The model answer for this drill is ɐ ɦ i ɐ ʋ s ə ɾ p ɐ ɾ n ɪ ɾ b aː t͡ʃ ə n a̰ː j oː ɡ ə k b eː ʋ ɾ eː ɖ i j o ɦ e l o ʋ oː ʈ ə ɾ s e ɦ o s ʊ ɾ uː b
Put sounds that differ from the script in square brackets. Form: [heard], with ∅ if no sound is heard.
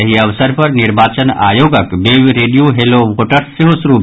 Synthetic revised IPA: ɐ ɦ i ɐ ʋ s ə ɾ p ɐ ɾ n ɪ ɾ b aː t͡ʃ ə n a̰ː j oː ɡ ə k b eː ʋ ɾ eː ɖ i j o ɦ e l o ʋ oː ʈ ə ɾ s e ɦ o s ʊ ɾ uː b

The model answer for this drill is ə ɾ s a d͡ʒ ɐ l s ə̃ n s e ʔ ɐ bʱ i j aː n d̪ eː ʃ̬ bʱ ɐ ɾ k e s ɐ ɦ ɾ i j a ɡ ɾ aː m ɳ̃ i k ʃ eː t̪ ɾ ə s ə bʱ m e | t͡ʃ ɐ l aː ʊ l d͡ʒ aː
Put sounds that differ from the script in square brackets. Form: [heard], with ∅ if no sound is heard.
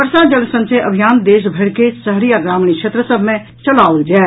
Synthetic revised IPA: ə ɾ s a d͡ʒ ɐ l s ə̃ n s e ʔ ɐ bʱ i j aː n d̪ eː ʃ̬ bʱ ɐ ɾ k e s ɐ ɦ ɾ i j a ɡ ɾ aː m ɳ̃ i k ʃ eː t̪ ɾ ə s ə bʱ m [ẽ] | t͡ʃ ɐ l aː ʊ l d͡ʒ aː

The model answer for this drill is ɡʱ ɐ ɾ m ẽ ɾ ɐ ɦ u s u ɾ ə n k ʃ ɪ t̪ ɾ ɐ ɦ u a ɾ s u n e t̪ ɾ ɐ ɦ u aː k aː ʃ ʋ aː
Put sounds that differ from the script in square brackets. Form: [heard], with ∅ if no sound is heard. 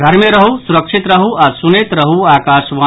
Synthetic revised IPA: ɡʱ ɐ ɾ m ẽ ɾ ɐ ɦ u s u ɾ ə [∅] k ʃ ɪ t̪ ɾ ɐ ɦ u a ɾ s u n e t̪ ɾ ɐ ɦ u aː k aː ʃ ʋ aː

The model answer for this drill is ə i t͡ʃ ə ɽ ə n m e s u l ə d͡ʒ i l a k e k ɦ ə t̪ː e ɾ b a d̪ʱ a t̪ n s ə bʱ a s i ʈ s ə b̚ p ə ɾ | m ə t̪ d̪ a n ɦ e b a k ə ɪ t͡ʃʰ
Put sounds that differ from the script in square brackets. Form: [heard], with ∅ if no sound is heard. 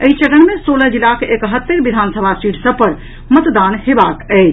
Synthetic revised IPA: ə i t͡ʃ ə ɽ ə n m e s [o] l ə d͡ʒ i l a k e k ɦ ə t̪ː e ɾ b [i] d̪ʱ a [∅] n s ə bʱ a s i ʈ s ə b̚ p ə ɾ | m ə t̪ d̪ a n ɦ e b a k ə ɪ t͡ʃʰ

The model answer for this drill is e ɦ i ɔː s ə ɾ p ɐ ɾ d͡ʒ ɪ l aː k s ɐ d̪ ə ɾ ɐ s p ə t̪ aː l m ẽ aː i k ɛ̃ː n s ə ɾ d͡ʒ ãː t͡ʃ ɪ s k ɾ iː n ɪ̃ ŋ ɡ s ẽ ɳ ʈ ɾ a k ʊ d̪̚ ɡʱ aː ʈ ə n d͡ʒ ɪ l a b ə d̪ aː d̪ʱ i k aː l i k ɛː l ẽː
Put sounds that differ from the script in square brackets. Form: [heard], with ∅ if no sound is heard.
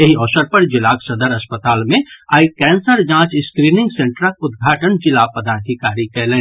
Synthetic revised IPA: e ɦ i ɔː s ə ɾ p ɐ ɾ d͡ʒ ɪ l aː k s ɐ d̪ ə ɾ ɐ s p ə t̪ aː l m ẽ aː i k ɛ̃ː n s ə ɾ d͡ʒ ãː t͡ʃ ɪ s k ɾ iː n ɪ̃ ŋ ɡ s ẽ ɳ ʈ ɾ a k ʊ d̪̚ ɡʱ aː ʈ ə n d͡ʒ ɪ l a [p] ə d̪ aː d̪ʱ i k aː [ɾ] i k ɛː l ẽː

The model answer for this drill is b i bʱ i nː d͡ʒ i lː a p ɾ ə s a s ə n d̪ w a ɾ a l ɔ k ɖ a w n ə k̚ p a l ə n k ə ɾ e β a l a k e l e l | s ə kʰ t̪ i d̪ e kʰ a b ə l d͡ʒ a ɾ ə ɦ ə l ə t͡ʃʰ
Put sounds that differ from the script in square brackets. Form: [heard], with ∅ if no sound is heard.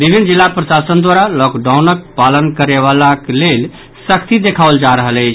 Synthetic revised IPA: b i bʱ i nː d͡ʒ i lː a p ɾ ə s a s ə n d̪ w a ɾ a l ɔ k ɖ a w n ə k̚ p a l ə n k ə ɾ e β a l a k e l e l | s ə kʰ t̪ i d̪ e kʰ a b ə l d͡ʒ a ɾ ə ɦ ə l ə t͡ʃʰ

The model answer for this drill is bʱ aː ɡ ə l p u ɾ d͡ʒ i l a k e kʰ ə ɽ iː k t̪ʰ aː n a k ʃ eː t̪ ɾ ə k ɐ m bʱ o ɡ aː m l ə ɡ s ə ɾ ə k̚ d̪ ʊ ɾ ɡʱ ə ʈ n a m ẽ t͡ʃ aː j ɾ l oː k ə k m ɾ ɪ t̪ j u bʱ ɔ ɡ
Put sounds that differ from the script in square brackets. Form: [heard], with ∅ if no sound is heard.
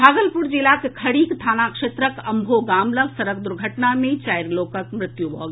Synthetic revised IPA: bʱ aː ɡ ə l p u ɾ d͡ʒ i l a k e kʰ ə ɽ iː k t̪ʰ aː n a k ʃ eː t̪ ɾ ə k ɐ m bʱ o ɡ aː m l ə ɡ s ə ɾ ə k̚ d̪ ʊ ɾ ɡʱ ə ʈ n a m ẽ t͡ʃ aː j ɾ l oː k ə k m ɾ ɪ t̪ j u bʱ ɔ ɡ

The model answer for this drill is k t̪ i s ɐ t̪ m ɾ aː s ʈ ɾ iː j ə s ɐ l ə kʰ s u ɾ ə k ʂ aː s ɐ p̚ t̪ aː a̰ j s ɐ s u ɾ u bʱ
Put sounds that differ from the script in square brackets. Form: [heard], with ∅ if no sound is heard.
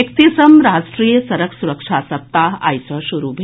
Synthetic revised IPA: k t̪ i s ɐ [∅] m ɾ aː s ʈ ɾ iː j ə s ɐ [ɾ] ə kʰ s u ɾ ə k ʂ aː s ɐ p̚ t̪ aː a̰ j s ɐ [ʃ] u ɾ u bʱ

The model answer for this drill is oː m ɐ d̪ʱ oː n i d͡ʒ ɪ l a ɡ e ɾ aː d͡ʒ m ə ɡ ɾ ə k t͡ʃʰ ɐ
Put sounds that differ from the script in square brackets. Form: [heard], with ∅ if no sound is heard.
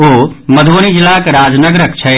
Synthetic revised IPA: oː m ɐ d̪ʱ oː n i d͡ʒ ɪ l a [k] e ɾ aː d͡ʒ [n] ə ɡ ɾ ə k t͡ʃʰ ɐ

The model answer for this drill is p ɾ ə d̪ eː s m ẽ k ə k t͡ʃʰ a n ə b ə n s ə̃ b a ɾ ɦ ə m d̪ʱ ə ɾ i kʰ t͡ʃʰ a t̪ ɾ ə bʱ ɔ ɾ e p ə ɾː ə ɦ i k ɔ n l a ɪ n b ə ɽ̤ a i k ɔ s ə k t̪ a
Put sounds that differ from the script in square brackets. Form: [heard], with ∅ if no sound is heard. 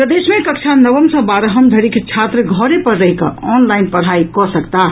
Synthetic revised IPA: p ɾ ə d̪ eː s m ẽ k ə k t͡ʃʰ a n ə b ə [m] s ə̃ b a ɾ ɦ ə m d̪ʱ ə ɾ i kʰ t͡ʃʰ a t̪ ɾ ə [ɡʱ] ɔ ɾ e p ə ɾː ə ɦ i k ɔ n l a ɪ n [p] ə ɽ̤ a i k ɔ s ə k t̪ a

